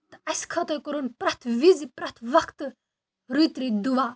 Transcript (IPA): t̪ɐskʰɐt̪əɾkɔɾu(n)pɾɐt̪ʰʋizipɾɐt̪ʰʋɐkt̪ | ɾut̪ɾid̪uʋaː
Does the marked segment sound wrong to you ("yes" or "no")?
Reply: no